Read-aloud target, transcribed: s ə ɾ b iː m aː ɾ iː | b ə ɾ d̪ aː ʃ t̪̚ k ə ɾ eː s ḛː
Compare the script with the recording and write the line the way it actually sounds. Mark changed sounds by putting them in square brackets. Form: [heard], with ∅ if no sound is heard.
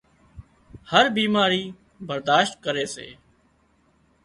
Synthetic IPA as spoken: [h] ə ɾ b iː m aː ɾ iː | b ə ɾ d̪ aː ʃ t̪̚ k ə ɾ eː s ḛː